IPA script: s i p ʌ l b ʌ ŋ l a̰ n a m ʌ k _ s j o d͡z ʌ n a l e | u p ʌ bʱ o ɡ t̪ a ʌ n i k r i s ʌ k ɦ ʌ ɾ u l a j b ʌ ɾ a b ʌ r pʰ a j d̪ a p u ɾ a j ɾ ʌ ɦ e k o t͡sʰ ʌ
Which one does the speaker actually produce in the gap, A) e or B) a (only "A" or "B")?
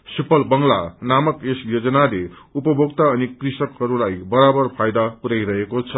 A